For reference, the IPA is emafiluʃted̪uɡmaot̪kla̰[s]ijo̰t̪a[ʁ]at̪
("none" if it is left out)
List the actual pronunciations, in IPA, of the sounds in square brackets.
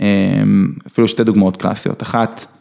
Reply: s, χ

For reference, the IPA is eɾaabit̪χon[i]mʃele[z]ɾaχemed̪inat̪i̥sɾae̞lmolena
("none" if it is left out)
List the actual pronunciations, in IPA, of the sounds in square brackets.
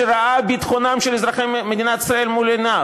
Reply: a, z

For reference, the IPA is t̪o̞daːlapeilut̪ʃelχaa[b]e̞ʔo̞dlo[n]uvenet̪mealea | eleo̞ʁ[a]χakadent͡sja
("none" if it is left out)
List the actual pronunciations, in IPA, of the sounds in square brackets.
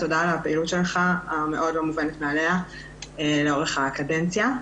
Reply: m, m, e

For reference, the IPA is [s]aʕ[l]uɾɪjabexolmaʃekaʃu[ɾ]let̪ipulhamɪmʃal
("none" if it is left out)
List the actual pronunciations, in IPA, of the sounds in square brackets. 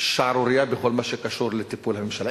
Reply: ʃ, ɾ, ɾ

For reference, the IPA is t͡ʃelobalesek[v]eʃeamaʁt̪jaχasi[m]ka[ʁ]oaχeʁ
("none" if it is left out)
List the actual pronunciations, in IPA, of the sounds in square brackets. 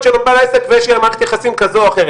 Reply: v, m, z

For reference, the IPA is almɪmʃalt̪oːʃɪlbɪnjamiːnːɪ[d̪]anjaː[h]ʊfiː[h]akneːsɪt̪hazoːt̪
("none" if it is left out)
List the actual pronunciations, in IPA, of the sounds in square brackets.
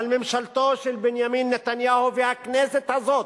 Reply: t̪, h, h

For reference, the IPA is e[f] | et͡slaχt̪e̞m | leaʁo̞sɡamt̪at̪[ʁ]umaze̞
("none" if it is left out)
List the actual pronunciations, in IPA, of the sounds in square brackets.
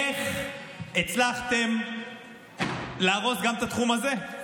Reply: χ, χ

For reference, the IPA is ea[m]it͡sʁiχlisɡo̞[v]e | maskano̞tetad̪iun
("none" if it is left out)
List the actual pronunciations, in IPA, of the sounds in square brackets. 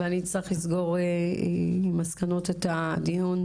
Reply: n, ʁ

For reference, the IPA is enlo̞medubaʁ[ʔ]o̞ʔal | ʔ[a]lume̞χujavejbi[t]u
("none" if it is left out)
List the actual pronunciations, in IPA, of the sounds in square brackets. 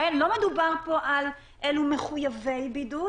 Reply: p, e, d

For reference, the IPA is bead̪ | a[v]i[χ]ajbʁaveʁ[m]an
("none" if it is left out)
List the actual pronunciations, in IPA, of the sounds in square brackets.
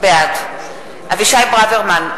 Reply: v, ʃ, m

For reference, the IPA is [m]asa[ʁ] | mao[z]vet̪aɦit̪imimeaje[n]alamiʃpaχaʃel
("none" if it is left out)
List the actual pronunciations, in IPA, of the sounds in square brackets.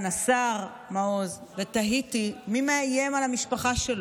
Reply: n, ʁ, z, m

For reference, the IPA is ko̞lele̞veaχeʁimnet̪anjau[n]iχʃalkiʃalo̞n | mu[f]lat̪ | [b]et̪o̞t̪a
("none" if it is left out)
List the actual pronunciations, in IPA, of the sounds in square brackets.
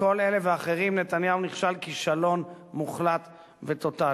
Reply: n, χ, v

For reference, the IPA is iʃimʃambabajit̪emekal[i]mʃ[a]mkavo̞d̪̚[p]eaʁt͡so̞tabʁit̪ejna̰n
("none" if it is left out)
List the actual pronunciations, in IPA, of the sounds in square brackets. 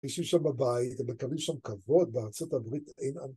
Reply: i, a, b

